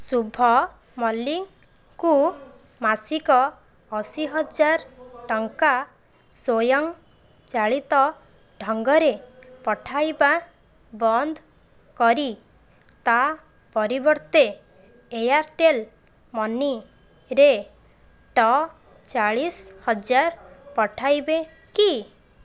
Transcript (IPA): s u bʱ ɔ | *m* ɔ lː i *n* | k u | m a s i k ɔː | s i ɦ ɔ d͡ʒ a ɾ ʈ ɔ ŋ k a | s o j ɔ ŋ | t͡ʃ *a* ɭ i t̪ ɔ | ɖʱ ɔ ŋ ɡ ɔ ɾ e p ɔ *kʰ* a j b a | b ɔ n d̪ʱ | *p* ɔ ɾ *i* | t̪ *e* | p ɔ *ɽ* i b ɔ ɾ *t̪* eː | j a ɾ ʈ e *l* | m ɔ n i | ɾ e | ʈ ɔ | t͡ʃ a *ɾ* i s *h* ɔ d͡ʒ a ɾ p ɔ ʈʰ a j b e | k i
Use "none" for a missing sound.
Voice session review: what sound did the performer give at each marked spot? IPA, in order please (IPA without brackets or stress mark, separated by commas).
m, ŋ, a, ʈʰ, k, i, a, ɾ, t̪, l, ɭ, h